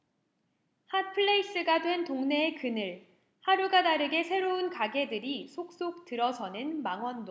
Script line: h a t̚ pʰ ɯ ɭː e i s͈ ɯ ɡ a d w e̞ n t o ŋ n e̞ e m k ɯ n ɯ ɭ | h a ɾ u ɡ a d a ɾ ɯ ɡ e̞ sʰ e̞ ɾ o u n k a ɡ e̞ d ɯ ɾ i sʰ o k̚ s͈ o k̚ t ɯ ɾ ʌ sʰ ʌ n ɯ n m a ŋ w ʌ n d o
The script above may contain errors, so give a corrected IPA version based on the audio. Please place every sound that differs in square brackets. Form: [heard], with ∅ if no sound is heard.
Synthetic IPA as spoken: h a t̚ pʰ ɯ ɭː e i s͈ ɯ ɡ a d w e̞ n t o ŋ n e̞ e [∅] k ɯ n ɯ ɭ | h a ɾ u ɡ a d a ɾ ɯ ɡ e̞ sʰ e̞ ɾ o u n k a ɡ e̞ d ɯ ɾ i sʰ o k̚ s͈ o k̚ t ɯ ɾ ʌ sʰ ʌ n ɯ n m a ŋ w ʌ n d o